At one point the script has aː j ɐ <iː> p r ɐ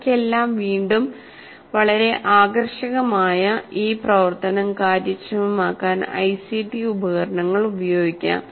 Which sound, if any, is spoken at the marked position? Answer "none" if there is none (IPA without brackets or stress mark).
iː